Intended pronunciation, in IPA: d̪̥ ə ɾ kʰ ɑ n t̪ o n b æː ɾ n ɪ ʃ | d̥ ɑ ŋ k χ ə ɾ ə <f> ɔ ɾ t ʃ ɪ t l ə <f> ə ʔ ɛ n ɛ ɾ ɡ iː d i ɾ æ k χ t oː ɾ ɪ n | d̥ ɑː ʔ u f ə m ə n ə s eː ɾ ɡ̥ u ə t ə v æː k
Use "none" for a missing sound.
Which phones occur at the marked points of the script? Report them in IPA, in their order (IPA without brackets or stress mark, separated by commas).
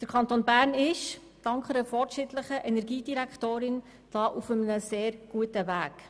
f, χ